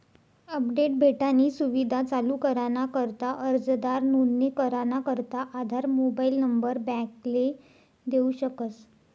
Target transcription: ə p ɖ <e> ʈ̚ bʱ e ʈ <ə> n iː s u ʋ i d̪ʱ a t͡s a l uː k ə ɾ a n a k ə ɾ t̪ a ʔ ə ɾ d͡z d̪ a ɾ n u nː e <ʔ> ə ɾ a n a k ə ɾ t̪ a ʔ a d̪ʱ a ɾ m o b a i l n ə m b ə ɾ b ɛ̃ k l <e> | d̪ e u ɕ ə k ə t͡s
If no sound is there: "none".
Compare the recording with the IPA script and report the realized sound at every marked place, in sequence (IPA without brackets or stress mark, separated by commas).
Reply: e, a, k, e